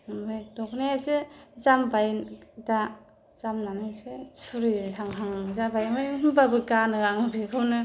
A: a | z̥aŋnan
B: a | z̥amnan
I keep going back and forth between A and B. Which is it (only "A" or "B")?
B